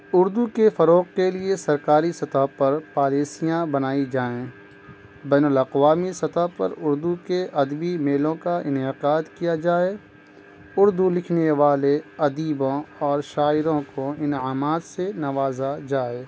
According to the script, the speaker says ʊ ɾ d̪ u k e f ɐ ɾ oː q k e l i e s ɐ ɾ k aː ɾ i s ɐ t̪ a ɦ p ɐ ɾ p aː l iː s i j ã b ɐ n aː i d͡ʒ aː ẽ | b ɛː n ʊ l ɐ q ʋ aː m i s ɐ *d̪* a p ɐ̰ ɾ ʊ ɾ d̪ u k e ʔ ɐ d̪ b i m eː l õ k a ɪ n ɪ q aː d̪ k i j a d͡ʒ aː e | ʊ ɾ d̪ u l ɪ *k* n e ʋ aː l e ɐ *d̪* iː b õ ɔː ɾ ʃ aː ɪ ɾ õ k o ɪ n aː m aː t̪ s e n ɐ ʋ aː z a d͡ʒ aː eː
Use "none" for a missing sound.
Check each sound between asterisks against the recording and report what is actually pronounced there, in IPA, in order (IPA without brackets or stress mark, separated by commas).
t̪, kʰ, d̪